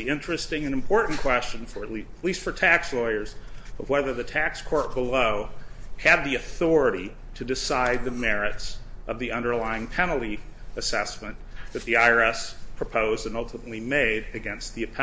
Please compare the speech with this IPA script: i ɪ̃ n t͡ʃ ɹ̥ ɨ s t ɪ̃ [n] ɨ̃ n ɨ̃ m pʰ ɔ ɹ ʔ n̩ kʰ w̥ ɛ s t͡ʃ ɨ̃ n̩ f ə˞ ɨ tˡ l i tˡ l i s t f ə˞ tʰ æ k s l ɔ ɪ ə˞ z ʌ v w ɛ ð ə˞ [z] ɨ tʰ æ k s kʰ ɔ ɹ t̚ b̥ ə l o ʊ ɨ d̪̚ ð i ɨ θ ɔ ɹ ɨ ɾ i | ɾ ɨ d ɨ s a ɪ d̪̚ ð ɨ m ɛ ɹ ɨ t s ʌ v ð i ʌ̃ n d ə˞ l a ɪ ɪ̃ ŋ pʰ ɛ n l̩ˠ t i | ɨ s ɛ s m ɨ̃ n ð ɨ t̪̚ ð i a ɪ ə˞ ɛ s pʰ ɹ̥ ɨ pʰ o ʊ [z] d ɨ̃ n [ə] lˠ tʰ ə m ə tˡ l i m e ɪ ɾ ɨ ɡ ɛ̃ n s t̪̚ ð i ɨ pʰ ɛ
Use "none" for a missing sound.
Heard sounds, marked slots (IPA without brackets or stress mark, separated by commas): ŋ, ð, z, ʌ